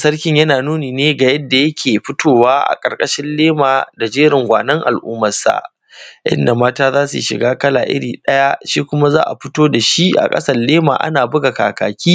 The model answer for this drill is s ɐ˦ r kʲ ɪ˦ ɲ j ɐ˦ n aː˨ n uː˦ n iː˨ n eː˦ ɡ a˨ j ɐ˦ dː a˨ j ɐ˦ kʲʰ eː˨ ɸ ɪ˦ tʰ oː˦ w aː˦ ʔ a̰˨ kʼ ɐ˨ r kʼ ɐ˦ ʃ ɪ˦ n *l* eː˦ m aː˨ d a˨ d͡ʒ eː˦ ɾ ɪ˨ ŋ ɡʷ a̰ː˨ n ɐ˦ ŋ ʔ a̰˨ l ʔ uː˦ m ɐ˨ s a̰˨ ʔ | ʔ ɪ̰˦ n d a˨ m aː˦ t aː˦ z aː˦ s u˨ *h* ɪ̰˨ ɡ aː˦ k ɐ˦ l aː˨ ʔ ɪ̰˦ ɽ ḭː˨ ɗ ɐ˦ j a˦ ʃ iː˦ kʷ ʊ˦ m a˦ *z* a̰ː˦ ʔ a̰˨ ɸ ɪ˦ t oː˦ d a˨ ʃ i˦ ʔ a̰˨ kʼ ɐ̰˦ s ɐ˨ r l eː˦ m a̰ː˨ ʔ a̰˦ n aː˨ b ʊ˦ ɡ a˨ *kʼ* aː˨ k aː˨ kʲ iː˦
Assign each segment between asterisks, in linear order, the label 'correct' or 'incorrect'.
correct, incorrect: ʃ, correct, incorrect: k

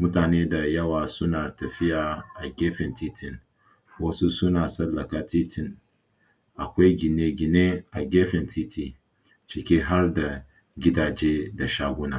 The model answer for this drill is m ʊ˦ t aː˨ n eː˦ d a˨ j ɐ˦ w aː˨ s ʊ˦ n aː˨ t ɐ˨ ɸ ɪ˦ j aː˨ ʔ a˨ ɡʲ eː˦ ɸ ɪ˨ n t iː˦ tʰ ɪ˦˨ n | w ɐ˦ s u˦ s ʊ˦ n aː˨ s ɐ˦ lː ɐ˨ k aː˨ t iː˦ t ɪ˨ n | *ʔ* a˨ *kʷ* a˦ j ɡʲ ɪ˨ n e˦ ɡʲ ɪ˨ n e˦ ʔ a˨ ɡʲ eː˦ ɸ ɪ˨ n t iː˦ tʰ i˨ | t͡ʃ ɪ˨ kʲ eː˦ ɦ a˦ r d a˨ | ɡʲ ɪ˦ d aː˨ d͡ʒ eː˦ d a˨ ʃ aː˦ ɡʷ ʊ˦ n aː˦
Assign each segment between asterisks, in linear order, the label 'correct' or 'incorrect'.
correct, correct

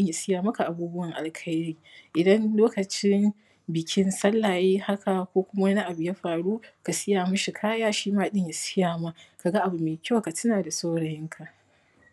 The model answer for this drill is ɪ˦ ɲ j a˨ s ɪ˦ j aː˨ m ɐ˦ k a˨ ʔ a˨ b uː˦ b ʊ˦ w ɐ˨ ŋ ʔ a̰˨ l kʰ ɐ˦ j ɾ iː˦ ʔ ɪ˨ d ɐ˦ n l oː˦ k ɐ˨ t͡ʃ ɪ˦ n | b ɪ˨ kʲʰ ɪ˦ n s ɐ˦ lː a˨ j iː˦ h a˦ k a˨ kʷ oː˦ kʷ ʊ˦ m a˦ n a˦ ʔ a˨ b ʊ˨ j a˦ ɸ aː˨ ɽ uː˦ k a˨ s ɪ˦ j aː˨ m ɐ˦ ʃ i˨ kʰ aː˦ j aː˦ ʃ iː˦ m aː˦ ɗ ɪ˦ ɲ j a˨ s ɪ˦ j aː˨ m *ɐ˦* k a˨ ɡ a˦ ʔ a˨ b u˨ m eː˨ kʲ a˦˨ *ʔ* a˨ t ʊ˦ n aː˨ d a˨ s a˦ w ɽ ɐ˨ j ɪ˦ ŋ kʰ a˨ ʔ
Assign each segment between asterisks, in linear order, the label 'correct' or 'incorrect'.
incorrect: a˦, incorrect: k

